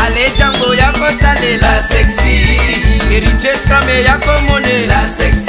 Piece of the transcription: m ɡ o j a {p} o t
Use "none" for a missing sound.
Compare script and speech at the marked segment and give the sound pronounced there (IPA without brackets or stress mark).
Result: k